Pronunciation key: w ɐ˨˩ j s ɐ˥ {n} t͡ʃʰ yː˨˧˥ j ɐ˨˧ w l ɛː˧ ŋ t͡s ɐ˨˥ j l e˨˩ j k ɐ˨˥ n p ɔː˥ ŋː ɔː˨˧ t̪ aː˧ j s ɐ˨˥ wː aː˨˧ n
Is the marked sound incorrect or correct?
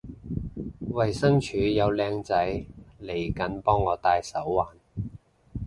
incorrect: ŋ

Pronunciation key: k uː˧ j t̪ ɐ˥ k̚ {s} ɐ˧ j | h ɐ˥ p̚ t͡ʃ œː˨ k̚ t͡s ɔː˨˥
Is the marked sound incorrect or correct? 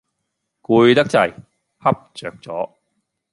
incorrect: t͡s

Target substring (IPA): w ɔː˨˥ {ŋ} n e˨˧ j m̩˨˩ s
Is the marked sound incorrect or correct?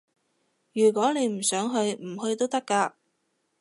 incorrect: none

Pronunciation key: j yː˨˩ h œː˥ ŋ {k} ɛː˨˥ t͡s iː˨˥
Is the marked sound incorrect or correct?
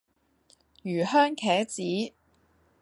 incorrect: kʰ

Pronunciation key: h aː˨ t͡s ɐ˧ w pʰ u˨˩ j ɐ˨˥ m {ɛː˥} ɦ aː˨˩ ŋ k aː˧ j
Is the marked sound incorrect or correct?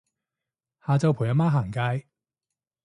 incorrect: aː˥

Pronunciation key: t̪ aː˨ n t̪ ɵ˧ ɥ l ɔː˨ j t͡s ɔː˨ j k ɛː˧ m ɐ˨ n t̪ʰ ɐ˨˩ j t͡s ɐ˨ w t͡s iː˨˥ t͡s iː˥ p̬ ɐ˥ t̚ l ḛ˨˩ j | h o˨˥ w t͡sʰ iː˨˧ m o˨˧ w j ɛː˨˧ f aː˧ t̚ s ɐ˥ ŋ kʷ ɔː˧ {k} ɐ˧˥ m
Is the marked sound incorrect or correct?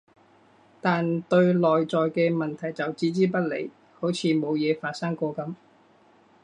correct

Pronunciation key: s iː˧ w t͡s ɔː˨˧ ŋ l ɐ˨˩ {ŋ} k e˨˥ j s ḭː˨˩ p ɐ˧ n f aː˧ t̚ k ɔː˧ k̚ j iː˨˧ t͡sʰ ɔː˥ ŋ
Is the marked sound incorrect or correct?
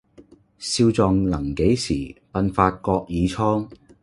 correct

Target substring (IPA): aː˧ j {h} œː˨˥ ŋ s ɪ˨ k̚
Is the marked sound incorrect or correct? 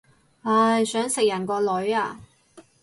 incorrect: s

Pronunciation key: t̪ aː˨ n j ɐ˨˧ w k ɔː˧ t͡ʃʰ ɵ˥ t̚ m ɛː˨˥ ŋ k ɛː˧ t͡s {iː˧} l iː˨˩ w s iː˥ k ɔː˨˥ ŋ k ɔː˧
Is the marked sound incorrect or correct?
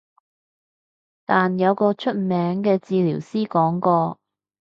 correct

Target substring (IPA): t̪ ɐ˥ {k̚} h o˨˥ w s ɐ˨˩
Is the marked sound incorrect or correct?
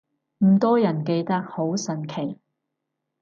correct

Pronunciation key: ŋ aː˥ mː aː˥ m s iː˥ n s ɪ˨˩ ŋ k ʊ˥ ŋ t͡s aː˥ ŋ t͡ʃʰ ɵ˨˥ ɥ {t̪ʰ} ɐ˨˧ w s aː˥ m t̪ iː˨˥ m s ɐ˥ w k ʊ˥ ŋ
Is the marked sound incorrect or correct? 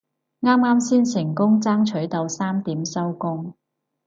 incorrect: t̪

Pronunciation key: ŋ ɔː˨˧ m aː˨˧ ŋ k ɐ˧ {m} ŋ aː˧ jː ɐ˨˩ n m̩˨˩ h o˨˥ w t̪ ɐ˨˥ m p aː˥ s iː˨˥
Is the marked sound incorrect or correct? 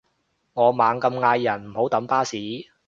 correct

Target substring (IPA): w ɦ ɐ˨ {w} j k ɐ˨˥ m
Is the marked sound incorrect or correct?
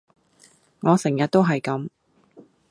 incorrect: none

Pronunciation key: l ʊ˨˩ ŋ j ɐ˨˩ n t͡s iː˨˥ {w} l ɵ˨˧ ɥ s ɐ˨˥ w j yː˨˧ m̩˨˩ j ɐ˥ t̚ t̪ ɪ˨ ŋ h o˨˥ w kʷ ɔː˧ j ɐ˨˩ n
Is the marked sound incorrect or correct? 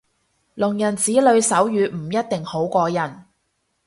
incorrect: none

